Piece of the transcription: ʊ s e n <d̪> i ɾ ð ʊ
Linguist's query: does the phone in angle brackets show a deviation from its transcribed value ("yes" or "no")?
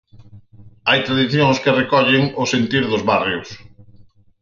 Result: yes